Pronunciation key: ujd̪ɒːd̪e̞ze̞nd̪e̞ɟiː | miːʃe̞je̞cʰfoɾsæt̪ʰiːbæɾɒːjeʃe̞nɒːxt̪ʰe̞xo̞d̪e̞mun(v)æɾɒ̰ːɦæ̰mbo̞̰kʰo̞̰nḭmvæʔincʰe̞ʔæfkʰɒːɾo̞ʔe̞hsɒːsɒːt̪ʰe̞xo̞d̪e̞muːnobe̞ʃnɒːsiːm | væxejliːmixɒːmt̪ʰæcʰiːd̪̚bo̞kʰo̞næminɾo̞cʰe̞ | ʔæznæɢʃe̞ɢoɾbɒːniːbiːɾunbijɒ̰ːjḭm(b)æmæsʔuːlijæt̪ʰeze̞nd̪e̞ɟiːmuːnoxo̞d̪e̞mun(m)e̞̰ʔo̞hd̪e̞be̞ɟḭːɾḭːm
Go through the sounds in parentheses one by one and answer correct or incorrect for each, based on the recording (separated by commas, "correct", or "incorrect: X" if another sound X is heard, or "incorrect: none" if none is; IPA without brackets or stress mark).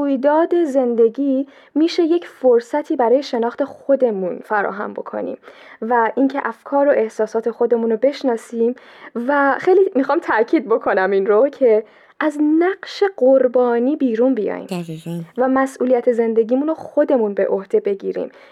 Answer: incorrect: f, incorrect: v, incorrect: b